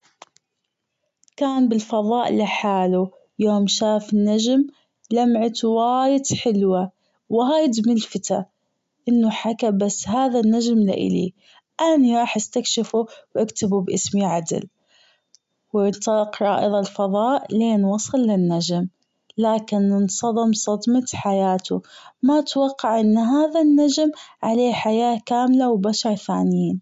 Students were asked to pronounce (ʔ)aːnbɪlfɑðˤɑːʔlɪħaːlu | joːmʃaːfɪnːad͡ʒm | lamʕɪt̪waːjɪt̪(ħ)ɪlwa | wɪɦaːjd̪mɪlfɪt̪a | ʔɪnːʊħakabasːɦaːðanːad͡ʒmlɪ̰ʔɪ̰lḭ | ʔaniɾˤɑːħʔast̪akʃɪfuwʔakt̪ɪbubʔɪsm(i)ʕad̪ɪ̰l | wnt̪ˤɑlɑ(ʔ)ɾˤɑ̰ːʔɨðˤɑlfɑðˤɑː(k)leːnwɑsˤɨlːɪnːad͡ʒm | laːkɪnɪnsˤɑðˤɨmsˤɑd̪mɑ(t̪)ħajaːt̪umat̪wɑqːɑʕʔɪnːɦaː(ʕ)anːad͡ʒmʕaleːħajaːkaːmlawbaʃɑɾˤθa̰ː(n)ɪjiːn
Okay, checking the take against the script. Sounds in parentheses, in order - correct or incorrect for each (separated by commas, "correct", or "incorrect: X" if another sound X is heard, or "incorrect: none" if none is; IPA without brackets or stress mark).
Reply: incorrect: k, correct, correct, incorrect: q, incorrect: ʔ, correct, incorrect: ð, correct